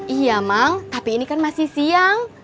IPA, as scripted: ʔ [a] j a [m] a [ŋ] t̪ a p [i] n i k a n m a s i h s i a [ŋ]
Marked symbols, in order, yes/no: no, yes, yes, no, yes

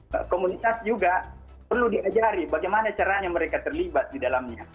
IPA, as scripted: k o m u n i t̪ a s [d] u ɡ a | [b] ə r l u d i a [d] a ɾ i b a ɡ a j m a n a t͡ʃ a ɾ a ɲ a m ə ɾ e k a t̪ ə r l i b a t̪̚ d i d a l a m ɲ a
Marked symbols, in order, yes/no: no, no, no

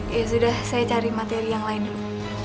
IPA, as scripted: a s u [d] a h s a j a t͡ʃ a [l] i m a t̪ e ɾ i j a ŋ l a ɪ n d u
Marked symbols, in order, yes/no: yes, no

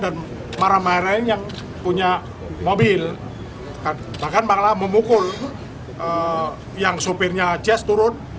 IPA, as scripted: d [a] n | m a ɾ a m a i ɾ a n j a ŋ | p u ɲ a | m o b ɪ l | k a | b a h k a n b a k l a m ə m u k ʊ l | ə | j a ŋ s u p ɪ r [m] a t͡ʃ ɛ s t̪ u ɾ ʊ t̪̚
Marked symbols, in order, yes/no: yes, no

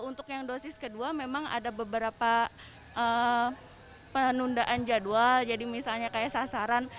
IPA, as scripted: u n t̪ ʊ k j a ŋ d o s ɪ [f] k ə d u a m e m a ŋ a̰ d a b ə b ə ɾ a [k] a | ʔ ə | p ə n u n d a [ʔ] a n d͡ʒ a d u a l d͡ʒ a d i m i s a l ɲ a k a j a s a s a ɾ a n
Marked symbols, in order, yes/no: no, no, yes

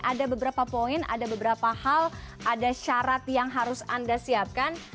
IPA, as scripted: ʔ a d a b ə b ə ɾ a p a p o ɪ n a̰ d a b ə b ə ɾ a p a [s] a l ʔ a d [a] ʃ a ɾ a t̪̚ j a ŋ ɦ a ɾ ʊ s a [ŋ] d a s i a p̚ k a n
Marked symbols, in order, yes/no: no, yes, no

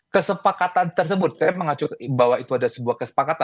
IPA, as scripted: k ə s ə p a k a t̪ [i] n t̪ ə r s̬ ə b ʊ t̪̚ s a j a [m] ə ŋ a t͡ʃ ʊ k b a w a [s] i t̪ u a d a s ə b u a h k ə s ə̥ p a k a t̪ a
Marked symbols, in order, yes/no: no, yes, no

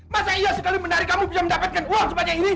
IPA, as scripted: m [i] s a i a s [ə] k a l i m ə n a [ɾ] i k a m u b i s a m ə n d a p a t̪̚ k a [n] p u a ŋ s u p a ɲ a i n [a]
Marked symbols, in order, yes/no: no, yes, yes, yes, no

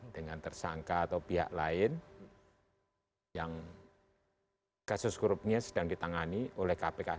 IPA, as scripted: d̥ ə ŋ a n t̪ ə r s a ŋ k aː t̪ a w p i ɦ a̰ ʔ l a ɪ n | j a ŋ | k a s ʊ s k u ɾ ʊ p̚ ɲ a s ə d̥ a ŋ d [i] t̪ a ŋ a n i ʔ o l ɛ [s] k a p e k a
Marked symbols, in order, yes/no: yes, no

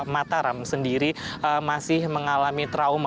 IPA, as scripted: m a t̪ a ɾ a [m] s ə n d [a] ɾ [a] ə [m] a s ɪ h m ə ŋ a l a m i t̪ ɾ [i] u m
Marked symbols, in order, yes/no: yes, no, no, yes, no

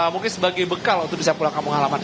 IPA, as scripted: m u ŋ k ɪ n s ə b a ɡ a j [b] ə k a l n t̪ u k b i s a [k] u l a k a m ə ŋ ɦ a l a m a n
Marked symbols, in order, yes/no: yes, no

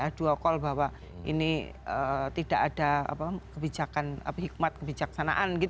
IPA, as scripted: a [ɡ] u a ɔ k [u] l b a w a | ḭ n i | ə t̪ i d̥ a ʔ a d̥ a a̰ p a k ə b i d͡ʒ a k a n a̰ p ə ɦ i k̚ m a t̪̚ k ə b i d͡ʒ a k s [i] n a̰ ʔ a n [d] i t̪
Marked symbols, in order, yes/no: no, no, no, no

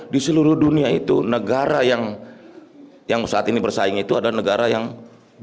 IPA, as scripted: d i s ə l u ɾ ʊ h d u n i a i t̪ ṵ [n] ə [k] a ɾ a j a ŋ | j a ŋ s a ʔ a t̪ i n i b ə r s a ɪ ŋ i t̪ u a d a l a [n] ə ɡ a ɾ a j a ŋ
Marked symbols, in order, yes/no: yes, no, yes

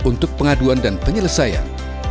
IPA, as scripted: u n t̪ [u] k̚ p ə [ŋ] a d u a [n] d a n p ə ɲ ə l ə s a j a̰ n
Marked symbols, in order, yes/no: no, yes, yes

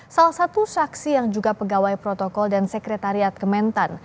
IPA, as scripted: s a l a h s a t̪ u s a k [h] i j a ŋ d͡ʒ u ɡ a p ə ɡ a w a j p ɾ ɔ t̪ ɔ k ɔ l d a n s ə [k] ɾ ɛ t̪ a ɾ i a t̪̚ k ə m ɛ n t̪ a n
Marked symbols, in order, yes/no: no, yes

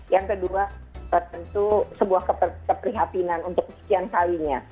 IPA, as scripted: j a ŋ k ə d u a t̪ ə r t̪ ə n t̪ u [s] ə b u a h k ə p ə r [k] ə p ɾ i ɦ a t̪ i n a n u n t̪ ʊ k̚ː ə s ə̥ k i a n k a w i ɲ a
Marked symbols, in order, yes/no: yes, yes

